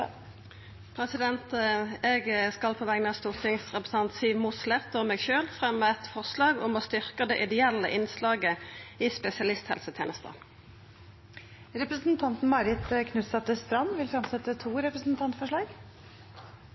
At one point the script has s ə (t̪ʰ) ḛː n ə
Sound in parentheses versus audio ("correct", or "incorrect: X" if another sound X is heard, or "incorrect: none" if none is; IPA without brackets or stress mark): correct